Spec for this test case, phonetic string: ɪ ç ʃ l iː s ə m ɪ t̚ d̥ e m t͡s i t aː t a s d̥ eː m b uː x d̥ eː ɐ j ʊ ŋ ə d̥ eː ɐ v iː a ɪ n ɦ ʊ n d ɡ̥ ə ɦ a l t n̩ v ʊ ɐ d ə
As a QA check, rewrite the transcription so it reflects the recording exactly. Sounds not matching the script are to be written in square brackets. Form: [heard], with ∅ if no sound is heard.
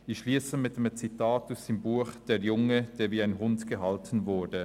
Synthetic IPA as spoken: ɪ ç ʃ l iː s ə m ɪ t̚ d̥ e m t͡s i t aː t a s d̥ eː m b uː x d̥ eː ɐ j ʊ ŋ ə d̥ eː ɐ v iː a ɪ n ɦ ʊ n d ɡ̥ ə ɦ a l t n̩ v ʊ ɐ d ə